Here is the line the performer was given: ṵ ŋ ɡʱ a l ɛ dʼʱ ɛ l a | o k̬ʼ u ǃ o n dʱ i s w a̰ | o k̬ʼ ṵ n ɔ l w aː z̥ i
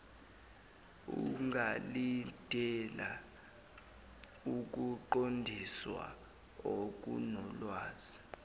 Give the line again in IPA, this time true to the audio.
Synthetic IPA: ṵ ŋ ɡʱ a l i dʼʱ ɛ l a | u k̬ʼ u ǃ o n dʱ i s w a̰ | o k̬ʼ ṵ n ɔ l w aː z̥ i